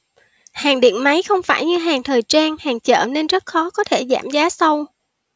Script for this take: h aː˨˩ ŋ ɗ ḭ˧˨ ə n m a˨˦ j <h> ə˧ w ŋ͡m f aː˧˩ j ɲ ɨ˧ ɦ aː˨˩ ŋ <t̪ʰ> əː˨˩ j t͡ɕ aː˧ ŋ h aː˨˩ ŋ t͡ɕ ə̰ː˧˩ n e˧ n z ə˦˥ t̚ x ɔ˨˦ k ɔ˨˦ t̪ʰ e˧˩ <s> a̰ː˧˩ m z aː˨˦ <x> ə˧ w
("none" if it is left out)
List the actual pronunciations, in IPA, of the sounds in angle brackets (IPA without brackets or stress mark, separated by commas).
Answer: x, t̪ʰ, z, s